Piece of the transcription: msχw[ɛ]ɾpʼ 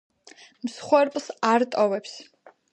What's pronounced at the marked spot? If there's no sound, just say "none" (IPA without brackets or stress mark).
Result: ɛ